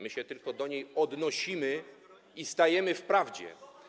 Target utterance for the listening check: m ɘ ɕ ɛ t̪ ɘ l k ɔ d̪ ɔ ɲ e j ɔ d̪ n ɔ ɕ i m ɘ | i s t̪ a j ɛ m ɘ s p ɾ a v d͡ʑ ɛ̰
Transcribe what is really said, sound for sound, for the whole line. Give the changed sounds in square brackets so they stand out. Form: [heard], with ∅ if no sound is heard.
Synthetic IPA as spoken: m ɘ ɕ ɛ t̪ ɘ l k ɔ d̪ ɔ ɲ e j ɔ d̪ n ɔ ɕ i m ɘ | i s t̪ a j ɛ m ɘ [f] p ɾ a v d͡ʑ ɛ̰